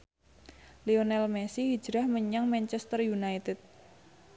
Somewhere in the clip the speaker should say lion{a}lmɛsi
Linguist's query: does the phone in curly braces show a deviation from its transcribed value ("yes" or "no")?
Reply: yes